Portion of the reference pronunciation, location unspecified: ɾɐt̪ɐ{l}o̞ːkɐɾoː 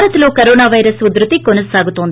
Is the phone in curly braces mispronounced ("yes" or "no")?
no